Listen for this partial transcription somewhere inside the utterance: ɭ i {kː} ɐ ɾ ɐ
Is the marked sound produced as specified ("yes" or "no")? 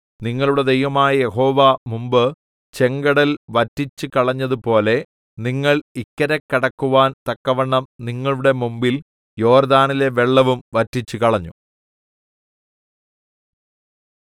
yes